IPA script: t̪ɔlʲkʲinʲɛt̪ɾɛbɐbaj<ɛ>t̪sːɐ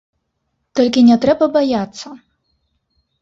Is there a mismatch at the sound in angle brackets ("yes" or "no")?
yes